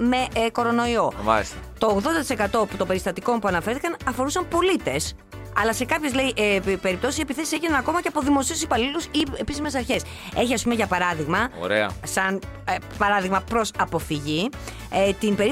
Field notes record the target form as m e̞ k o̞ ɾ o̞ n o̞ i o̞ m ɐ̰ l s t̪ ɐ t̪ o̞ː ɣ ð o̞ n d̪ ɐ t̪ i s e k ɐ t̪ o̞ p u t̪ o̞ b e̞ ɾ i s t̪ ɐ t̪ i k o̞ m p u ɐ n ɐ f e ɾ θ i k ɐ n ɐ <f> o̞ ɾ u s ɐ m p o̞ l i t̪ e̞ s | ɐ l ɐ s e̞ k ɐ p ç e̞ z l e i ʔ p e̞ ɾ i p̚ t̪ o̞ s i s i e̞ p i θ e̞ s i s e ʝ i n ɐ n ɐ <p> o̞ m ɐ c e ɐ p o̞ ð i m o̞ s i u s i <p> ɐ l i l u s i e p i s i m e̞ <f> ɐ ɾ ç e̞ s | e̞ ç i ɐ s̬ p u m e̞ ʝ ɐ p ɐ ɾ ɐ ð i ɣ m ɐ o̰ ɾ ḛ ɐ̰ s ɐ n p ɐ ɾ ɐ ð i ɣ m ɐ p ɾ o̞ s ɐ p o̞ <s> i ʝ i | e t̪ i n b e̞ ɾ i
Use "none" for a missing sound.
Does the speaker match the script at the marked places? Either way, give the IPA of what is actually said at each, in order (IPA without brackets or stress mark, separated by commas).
f, k, p, s, f